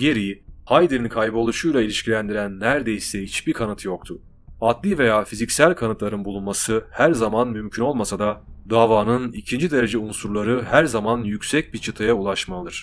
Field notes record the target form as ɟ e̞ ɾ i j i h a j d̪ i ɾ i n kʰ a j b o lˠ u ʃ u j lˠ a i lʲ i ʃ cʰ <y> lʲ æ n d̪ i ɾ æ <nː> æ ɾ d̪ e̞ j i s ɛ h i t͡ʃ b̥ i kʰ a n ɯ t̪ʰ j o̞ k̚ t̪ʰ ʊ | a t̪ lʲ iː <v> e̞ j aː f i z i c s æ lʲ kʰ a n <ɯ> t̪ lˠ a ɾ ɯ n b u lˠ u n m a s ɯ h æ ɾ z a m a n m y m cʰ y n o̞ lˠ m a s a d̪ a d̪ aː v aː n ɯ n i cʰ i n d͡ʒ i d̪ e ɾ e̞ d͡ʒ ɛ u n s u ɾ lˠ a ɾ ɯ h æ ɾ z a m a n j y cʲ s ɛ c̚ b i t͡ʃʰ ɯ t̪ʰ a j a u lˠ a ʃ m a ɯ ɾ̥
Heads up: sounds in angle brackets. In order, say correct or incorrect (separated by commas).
incorrect, correct, correct, correct